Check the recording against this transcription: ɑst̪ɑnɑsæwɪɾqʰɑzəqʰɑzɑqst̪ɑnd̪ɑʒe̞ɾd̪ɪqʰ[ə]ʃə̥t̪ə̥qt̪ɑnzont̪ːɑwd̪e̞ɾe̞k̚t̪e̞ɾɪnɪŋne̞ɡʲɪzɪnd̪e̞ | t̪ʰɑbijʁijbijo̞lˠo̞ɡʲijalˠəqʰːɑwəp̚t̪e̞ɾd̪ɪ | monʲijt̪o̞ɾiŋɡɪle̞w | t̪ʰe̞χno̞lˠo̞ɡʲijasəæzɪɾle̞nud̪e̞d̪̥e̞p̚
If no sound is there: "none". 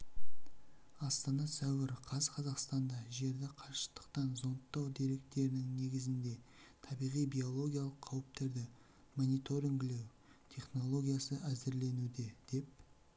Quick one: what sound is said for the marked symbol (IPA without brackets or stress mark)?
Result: ɑ